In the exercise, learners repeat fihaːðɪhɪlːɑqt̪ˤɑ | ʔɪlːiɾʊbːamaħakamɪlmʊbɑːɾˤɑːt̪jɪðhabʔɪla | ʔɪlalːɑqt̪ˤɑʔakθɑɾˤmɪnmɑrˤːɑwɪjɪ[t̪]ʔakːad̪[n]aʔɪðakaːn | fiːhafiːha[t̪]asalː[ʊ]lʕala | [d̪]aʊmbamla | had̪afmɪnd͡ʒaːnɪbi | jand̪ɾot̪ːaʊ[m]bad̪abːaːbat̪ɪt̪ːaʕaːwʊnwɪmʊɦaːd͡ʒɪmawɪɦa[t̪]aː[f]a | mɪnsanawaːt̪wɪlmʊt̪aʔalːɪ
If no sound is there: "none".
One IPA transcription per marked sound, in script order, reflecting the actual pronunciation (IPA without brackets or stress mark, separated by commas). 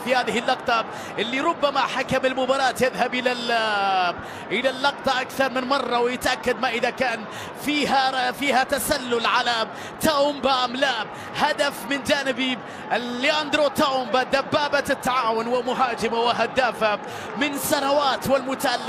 t̪, m, t̪, ʊ, t̪, m, d̪, f